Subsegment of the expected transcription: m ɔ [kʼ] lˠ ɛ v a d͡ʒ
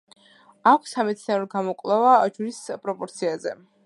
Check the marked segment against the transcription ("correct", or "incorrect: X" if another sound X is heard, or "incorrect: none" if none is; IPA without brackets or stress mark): correct